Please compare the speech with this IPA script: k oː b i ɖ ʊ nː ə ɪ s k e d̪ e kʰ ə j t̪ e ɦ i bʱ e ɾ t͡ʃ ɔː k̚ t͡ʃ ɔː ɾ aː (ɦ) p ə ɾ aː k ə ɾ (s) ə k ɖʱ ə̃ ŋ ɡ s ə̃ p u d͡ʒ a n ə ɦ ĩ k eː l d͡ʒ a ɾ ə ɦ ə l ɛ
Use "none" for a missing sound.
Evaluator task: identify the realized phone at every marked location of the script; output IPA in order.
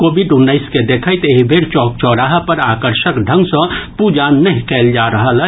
ɦ, ʃ

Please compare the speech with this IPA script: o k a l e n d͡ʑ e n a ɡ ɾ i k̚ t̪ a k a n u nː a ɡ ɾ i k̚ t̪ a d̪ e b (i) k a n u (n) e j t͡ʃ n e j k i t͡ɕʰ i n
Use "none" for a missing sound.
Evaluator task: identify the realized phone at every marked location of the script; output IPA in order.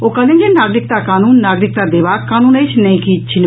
a, n

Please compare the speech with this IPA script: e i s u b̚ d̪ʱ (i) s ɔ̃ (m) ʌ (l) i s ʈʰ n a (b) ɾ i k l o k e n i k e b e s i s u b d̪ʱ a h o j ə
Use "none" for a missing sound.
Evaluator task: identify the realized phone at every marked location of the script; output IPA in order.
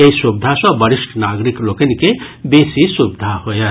a, b, ɾ, ɡ

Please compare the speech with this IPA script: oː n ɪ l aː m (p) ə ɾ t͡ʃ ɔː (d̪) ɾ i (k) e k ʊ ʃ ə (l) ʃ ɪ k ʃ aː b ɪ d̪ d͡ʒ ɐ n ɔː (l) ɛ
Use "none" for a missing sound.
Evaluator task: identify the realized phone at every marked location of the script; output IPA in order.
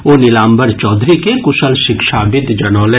b, d̪, k, l, l

